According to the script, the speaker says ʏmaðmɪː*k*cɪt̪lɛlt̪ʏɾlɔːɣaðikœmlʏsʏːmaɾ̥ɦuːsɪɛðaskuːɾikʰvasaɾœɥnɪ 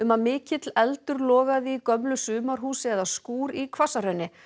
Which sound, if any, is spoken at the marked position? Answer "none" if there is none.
none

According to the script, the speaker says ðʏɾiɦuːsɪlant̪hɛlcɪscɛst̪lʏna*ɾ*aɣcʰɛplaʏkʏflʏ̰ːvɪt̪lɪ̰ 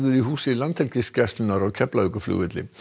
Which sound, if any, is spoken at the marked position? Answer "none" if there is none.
ɾ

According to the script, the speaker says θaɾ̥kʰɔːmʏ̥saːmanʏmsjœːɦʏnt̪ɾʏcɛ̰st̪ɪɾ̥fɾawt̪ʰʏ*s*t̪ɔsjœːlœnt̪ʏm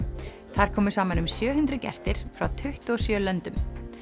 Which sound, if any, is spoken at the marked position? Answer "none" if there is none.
h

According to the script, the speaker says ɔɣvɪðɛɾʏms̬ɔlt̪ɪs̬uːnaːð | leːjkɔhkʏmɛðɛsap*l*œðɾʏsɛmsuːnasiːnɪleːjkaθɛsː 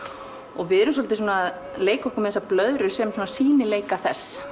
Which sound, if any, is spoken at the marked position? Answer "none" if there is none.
l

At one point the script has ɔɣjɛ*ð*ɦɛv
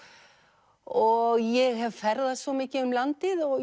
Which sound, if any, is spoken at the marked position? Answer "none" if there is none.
ɣ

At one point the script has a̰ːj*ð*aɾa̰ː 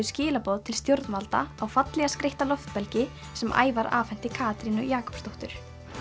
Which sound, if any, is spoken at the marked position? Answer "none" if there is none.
v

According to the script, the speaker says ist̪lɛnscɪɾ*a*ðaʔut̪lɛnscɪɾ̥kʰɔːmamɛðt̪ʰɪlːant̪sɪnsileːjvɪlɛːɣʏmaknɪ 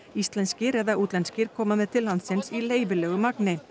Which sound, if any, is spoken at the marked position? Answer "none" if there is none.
ɛ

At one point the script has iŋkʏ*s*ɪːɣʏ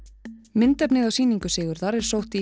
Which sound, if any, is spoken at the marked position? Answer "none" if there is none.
s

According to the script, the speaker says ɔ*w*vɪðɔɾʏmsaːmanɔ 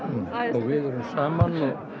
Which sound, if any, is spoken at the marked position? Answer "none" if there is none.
ɣ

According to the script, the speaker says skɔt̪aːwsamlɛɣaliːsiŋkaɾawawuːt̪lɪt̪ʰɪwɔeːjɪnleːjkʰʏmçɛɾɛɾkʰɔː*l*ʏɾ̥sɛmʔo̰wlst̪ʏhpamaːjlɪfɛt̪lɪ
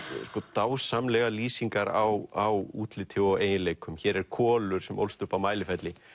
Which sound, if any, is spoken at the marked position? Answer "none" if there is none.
l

